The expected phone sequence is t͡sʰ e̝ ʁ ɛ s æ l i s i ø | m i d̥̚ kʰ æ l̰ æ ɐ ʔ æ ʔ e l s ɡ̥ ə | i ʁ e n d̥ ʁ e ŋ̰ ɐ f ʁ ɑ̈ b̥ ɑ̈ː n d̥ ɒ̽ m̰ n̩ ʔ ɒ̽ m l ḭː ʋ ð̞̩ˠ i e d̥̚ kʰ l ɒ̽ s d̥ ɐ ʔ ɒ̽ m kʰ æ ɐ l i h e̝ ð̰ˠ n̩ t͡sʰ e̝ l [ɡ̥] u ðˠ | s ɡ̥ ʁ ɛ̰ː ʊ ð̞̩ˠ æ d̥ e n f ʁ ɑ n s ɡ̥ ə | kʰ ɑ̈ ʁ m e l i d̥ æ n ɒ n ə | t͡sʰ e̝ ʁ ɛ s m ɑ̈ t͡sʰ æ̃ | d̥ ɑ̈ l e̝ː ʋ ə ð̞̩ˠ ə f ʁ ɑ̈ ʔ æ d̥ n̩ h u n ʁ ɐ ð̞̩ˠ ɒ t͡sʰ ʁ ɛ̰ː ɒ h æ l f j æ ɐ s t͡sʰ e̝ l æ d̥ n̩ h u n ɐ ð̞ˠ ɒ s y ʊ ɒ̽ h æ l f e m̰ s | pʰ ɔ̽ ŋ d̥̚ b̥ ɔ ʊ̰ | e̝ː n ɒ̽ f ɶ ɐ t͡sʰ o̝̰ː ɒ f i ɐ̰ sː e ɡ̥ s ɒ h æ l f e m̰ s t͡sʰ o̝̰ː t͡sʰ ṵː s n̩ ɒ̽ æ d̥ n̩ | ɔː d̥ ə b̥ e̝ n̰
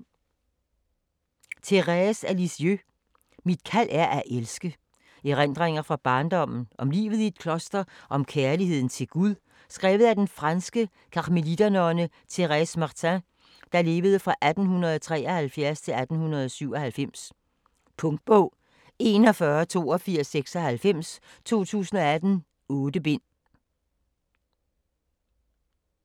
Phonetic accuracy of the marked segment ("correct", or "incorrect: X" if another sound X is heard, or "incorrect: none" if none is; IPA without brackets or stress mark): correct